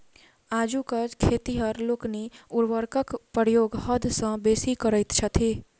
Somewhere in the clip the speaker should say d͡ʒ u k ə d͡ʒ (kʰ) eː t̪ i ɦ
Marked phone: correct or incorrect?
correct